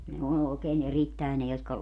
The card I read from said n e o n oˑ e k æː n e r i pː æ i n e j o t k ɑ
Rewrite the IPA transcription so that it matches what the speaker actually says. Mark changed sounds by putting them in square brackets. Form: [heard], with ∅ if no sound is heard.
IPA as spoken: n e o n oˑ e k [eː] n e r i [tː] æ [e] n e j o t k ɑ